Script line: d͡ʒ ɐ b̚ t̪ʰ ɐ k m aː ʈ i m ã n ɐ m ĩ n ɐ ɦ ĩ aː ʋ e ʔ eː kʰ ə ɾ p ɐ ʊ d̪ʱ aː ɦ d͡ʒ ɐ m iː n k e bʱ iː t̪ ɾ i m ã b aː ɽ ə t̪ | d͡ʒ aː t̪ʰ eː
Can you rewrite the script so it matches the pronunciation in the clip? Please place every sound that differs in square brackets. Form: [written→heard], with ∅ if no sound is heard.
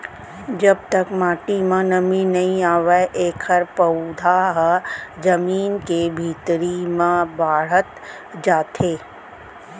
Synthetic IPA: d͡ʒ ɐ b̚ [t̪ʰ→t̪] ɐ k m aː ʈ i m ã n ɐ m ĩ n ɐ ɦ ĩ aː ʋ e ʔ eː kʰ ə ɾ p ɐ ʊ d̪ʱ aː ɦ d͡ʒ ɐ m iː n k e bʱ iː t̪ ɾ i m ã b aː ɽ ə t̪ | d͡ʒ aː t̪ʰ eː